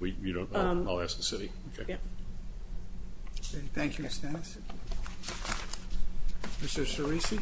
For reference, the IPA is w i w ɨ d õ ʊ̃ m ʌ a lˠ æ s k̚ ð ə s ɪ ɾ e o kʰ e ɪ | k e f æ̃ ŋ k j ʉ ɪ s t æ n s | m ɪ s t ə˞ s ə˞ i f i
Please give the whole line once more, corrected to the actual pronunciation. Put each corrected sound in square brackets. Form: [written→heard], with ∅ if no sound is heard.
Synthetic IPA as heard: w i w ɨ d õ ʊ̃ [m→n] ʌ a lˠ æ s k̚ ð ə s ɪ ɾ [e→i] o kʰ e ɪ | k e [f→θ] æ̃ ŋ k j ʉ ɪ s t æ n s | m ɪ s t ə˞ s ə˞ i [f→s] i